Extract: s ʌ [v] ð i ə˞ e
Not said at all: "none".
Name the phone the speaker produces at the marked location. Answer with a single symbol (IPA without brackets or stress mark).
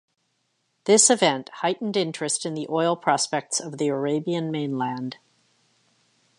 v